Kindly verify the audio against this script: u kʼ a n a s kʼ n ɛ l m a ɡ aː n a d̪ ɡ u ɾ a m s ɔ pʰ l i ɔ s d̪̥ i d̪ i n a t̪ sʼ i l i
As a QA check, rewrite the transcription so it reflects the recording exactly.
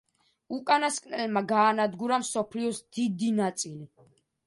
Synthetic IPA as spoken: u kʼ a n a s kʼ n ɛ l m a ɡ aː n a d̪ ɡ u ɾ a m s ɔ pʰ l i ɔ s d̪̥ i d̪ i n a t̪ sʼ i l i